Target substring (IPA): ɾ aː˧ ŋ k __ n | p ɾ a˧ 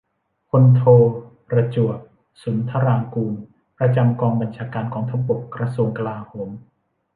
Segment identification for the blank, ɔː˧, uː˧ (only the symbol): uː˧